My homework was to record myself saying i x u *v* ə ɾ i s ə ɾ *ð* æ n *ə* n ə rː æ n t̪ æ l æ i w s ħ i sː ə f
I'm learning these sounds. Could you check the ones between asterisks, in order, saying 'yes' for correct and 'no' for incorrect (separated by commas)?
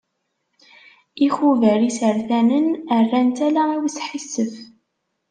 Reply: yes, no, yes